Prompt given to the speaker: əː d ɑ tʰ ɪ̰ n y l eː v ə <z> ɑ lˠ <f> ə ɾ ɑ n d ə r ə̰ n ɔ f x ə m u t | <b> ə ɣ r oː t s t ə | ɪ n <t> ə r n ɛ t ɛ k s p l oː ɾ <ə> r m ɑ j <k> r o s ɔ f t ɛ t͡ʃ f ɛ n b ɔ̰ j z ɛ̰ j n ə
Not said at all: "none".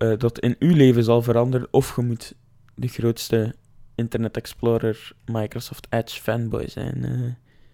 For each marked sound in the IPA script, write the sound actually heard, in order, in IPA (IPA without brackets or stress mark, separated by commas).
z, v, d, t, ə, k